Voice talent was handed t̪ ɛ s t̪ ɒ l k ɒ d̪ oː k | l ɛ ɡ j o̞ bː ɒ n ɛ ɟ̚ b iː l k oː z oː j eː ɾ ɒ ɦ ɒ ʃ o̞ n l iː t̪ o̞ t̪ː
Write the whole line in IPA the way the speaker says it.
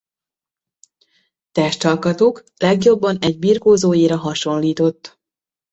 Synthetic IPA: t̪ ɛ ʃ t̪ ɒ l k ɒ t̪ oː k | l ɛ ɡ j o̞ bː ɒ n ɛ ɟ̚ b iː r k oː z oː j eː ɾ ɒ ɦ ɒ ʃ o̞ n l iː t̪ o̞ t̪ː